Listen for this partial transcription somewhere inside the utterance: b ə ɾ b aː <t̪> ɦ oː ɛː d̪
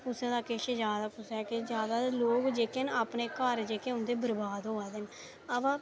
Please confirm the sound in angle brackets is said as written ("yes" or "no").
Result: no